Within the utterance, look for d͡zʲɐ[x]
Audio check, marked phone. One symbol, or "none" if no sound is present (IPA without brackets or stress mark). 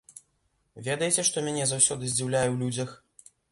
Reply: x